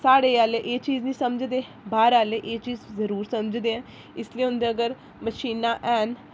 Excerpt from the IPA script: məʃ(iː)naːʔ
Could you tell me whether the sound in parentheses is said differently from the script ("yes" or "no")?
no